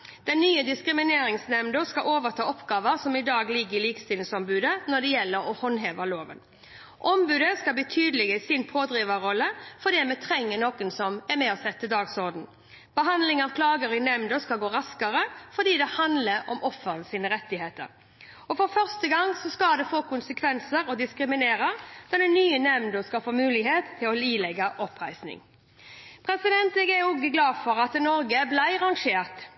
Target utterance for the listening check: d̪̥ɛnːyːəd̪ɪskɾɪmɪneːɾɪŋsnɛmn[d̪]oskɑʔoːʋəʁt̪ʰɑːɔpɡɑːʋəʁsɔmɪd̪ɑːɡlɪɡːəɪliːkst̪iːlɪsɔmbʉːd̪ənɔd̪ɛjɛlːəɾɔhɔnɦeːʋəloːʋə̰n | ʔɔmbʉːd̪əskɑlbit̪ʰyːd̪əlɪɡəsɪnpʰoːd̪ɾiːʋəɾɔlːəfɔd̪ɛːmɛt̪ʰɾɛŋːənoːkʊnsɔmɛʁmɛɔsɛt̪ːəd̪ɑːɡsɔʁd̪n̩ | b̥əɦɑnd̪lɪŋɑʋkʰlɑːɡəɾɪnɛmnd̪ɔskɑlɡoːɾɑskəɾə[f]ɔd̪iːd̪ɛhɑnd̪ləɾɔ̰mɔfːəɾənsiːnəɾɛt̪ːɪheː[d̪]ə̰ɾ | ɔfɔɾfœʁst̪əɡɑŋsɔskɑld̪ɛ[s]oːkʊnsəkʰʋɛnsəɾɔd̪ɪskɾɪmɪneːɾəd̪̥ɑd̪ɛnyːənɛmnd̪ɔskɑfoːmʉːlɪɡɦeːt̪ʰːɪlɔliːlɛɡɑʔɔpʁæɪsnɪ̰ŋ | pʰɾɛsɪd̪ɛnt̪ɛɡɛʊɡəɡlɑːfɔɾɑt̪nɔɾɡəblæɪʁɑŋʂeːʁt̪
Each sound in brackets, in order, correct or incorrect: correct, correct, incorrect, incorrect

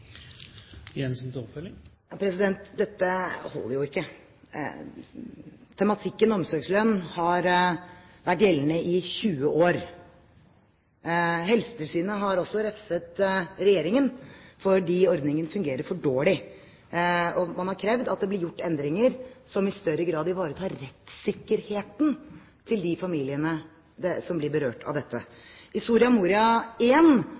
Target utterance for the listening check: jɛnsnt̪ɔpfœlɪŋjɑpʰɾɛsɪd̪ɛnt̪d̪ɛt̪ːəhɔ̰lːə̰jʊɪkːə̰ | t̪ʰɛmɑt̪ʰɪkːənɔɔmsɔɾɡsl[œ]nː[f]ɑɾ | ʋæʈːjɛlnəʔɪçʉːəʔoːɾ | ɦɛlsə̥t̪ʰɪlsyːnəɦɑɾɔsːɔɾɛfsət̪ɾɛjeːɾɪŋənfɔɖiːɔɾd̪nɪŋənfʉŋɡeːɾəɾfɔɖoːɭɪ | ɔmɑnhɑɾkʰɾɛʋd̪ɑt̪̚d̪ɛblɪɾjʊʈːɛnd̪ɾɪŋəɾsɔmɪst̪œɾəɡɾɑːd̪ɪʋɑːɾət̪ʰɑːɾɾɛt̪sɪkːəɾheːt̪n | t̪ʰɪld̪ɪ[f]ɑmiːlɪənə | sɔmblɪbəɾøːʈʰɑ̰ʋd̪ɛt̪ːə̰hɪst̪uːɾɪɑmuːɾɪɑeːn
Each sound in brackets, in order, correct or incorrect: correct, incorrect, correct

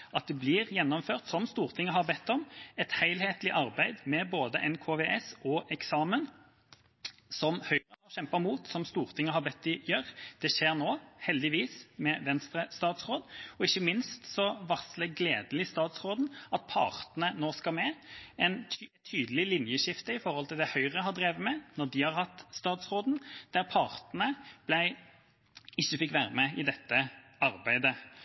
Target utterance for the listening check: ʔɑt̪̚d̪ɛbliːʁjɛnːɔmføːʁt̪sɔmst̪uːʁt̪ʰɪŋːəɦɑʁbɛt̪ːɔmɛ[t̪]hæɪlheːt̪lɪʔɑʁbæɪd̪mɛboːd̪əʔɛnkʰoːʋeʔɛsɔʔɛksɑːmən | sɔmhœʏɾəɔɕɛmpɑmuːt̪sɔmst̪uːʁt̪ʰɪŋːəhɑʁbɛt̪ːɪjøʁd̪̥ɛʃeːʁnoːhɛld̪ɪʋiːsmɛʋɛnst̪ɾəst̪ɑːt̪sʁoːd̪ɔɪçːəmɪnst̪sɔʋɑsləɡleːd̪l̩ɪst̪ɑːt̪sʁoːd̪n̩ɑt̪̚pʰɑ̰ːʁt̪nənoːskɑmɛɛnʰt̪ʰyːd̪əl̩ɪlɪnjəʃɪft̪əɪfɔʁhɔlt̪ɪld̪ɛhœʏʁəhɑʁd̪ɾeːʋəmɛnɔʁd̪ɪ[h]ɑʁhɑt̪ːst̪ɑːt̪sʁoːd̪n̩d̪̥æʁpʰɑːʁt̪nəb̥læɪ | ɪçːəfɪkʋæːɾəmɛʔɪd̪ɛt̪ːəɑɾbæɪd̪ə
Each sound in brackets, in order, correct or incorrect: correct, correct

